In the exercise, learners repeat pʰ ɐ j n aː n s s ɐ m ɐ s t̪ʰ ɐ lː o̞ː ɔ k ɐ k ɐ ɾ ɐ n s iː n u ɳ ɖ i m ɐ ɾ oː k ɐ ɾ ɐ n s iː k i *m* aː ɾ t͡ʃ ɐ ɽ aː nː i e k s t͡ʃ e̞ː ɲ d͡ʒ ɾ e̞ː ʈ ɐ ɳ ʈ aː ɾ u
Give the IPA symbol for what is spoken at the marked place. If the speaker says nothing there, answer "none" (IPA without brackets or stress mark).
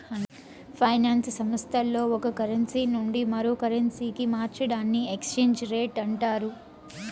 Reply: m